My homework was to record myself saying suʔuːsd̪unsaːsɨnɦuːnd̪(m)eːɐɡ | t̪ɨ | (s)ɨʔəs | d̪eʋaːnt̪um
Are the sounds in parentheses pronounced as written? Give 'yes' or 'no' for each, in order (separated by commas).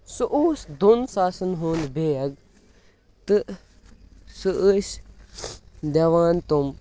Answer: no, yes